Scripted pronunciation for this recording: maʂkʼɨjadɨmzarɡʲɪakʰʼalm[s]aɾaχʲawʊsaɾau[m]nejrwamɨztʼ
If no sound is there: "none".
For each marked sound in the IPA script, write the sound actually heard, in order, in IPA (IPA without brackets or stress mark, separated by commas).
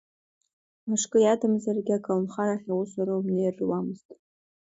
χ, m